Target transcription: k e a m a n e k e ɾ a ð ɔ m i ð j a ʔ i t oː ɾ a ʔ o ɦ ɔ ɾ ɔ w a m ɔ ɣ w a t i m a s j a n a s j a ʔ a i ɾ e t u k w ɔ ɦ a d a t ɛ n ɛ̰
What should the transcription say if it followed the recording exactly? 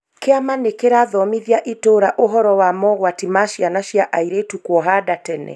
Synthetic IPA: k e a m a n e k e ɾ a ð ɔ m i ð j a ʔ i t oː ɾ a ʔ o ɦ ɔ ɾ ɔ w a m ɔ ɣ w a t i m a ʃ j a n a ʃ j a ʔ a i ɾ e t u k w ɔ ɦ a d a t ɛ n ɛ̰